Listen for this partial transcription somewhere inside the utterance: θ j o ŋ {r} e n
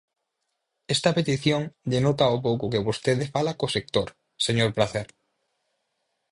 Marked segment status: incorrect: ʎ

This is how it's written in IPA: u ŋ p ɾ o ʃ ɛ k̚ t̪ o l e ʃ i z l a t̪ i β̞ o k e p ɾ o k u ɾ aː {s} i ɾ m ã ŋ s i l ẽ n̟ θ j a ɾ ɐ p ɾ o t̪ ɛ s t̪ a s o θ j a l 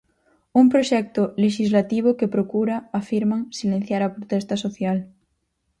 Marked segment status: incorrect: f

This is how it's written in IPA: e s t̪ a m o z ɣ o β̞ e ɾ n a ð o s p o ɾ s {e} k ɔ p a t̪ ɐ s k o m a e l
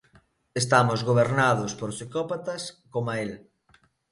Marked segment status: incorrect: i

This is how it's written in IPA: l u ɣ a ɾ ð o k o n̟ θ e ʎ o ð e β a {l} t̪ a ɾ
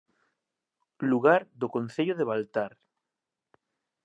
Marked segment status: correct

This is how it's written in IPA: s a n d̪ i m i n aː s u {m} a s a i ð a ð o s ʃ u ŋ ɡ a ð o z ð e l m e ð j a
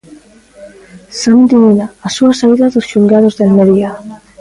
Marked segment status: incorrect: none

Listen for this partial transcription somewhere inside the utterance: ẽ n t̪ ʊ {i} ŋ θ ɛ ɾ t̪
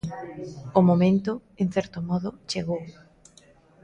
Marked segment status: incorrect: e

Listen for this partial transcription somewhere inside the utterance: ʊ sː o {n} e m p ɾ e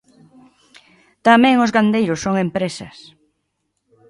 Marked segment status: incorrect: ŋ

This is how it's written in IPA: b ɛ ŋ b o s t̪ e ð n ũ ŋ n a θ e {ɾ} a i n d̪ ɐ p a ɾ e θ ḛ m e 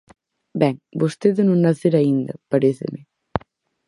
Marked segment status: correct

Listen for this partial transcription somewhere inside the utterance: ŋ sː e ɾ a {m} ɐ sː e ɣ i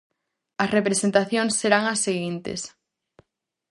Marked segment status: incorrect: ŋ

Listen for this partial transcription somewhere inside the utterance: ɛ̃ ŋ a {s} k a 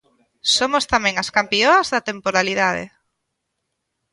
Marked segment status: correct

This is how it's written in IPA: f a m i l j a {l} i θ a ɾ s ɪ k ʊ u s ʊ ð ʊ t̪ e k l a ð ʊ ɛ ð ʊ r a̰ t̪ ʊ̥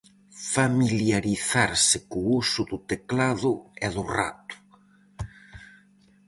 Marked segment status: incorrect: ɾ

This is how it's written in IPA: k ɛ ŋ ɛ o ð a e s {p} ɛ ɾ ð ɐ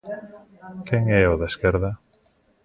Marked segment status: incorrect: k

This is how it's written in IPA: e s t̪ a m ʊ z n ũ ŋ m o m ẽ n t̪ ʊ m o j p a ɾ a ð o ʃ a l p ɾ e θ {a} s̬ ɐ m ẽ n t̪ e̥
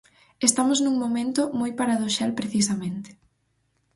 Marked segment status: incorrect: i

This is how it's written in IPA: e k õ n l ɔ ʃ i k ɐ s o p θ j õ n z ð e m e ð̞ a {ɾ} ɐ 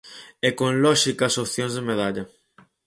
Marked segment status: incorrect: ʎ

